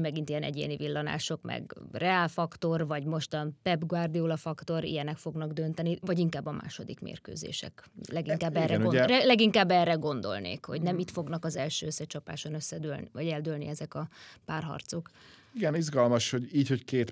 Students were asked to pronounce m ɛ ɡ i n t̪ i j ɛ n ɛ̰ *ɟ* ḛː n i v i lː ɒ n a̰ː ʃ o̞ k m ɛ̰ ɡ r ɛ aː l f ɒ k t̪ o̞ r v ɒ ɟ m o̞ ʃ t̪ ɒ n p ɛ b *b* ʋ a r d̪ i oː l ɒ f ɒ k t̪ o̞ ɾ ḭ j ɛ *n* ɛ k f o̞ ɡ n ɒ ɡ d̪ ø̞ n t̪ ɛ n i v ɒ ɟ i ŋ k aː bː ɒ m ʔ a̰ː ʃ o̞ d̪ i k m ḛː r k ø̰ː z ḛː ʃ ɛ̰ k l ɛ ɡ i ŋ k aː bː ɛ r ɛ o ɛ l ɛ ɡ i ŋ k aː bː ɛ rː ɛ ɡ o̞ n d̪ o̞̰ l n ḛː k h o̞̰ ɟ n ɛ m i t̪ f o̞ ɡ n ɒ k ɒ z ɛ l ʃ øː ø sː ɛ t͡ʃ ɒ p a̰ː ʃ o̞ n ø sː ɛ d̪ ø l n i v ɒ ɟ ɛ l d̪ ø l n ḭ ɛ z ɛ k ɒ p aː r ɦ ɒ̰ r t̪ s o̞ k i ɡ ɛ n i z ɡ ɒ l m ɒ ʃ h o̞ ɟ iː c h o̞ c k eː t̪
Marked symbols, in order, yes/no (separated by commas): yes, no, yes